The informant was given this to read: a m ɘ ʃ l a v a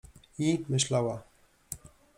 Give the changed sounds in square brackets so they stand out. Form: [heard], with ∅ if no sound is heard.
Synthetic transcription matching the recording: [i] m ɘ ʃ l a [w] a